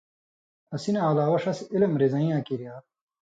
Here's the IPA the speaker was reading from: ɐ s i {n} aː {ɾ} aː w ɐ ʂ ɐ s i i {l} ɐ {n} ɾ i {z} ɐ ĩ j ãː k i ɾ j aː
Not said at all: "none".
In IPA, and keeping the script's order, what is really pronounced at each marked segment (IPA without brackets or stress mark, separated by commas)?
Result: n, l, l, m, z